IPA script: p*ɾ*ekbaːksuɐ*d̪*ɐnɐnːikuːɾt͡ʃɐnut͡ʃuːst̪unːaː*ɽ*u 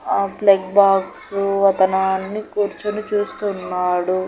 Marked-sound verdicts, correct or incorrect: incorrect: l, incorrect: t̪, correct

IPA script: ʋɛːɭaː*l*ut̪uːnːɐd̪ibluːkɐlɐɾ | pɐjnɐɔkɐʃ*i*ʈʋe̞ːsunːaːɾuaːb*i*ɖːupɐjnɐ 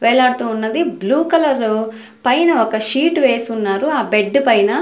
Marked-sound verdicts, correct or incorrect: incorrect: ɽ, incorrect: iː, incorrect: e

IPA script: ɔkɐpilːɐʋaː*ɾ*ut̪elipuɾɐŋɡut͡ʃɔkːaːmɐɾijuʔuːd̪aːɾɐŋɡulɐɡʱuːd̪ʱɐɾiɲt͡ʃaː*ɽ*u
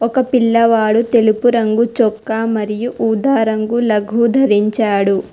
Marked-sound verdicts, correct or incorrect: incorrect: ɽ, correct

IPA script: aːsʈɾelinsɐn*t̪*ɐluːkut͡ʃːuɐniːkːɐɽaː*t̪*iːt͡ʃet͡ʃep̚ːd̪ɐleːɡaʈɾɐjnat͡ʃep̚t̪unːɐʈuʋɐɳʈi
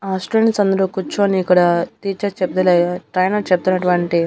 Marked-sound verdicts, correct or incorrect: incorrect: d̪, correct

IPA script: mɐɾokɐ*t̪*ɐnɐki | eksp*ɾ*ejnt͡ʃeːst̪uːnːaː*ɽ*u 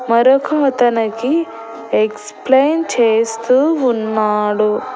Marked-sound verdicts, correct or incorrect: correct, incorrect: l, correct

